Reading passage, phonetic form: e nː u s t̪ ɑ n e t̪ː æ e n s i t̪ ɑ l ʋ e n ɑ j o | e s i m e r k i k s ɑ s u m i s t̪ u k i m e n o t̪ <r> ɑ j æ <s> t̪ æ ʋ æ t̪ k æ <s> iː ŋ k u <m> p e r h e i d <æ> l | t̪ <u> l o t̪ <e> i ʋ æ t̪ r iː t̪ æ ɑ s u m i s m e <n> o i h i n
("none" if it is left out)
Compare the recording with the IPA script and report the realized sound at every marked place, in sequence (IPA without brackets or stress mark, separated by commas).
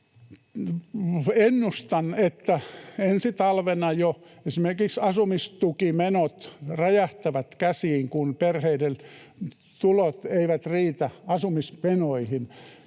r, h, s, n, e, u, e, n